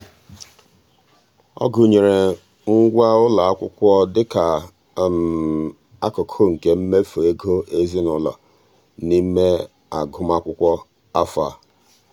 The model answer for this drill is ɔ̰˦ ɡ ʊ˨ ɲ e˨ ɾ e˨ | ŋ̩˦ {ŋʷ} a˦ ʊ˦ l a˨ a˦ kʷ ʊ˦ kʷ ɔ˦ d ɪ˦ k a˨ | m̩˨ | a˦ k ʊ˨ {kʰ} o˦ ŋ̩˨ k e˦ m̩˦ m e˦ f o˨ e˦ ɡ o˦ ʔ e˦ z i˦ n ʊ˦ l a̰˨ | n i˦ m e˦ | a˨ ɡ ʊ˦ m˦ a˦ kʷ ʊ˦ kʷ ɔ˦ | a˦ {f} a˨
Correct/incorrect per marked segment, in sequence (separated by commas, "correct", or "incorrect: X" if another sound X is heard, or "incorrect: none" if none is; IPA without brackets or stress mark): incorrect: ɡʷ, correct, correct